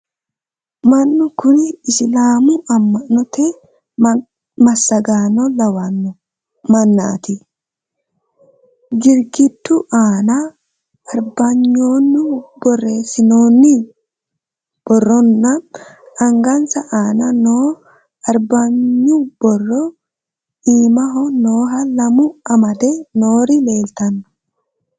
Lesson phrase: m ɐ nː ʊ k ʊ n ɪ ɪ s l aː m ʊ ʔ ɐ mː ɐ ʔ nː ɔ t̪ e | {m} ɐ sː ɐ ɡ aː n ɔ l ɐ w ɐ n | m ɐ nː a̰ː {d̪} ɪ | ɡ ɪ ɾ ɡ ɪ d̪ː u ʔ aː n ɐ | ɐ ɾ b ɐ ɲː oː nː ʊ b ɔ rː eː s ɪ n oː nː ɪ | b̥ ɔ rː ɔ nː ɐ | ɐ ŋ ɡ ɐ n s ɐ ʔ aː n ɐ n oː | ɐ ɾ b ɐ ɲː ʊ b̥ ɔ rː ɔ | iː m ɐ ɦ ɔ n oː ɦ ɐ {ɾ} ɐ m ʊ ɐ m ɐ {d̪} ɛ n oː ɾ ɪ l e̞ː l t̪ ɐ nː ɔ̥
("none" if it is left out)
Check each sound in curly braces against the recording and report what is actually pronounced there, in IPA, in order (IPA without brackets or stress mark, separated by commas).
m, t̪, l, d̪